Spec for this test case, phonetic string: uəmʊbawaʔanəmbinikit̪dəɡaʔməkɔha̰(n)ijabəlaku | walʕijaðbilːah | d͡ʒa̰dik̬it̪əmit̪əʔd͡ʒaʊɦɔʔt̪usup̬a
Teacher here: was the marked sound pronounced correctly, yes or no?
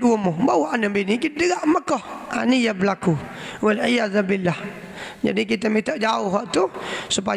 yes